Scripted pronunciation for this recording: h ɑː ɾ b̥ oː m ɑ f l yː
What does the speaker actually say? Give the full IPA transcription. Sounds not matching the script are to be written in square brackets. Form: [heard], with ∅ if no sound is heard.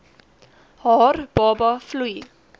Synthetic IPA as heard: h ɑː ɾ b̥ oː [b] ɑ f l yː